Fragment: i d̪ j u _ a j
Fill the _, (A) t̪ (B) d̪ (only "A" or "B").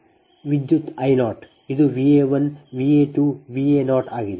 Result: A